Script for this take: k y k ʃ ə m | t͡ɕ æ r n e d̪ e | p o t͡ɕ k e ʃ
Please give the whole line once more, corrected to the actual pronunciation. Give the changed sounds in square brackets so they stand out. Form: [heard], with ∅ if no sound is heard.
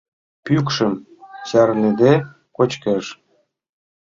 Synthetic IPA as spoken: [p] y k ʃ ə m | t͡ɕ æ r n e d̪ e | [k] o t͡ɕ k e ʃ